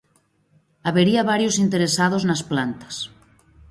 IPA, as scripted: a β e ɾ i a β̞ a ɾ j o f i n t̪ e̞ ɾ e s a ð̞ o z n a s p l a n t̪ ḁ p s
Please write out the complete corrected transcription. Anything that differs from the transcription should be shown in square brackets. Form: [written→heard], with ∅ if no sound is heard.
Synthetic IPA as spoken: a β e ɾ i a β̞ a ɾ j o [f→s] i n t̪ e̞ ɾ e s a ð̞ o z n a s p l a n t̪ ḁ [p→∅] s